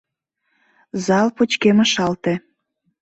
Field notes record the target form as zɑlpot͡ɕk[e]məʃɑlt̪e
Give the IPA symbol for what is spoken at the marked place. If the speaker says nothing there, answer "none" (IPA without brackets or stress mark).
e